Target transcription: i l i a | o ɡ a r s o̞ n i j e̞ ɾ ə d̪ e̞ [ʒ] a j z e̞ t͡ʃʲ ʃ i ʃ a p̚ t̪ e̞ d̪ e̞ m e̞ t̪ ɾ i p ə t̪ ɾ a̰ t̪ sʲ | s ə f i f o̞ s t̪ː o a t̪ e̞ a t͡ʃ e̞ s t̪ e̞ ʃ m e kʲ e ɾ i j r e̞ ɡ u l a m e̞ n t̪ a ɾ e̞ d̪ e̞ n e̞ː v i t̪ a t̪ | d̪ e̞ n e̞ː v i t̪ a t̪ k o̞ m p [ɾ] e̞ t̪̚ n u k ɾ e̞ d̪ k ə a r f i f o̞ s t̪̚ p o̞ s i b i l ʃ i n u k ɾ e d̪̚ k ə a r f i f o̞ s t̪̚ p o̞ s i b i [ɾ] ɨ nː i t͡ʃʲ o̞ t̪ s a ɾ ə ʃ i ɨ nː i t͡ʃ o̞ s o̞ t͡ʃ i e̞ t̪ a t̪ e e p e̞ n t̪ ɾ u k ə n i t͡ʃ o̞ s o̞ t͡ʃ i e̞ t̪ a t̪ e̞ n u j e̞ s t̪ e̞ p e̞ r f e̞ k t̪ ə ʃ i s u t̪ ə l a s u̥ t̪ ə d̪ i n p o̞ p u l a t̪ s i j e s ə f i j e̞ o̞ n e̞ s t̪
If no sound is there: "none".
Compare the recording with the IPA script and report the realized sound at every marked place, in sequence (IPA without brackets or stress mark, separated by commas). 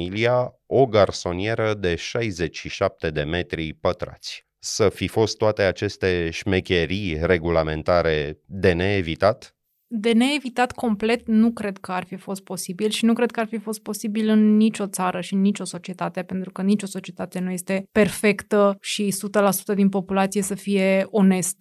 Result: ʃ, l, l